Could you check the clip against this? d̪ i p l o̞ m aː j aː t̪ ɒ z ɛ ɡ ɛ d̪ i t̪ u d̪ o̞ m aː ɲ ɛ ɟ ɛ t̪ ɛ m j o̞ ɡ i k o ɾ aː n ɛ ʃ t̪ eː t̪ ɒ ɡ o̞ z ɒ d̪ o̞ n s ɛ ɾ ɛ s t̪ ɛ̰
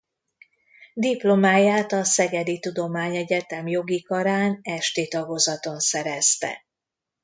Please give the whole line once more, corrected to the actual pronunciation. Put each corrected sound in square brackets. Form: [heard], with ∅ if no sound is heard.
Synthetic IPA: d̪ i p l o̞ m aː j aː t̪ ɒ [s] ɛ ɡ ɛ d̪ i t̪ u d̪ o̞ m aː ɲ ɛ ɟ ɛ t̪ ɛ m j o̞ ɡ i k [ɒ] ɾ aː n ɛ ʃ t̪ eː t̪ ɒ ɡ o̞ z ɒ [t̪] o̞ n s ɛ ɾ ɛ s t̪ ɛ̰